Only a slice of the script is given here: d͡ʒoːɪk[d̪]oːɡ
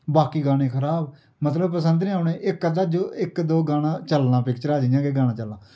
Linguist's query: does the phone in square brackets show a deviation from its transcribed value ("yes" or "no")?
no